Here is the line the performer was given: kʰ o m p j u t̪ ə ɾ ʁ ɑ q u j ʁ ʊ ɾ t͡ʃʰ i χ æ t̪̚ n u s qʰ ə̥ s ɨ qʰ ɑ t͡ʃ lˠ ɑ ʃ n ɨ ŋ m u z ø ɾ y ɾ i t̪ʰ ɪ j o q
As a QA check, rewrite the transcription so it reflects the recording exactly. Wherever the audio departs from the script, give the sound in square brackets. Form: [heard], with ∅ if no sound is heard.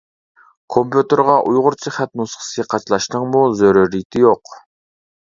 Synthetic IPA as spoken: kʰ o m p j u t̪ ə ɾ ʁ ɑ [ʔ] u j ʁ ʊ ɾ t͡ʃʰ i χ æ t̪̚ n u s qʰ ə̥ s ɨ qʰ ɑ t͡ʃ lˠ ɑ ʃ n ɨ ŋ m u z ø ɾ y ɾ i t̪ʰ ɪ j o q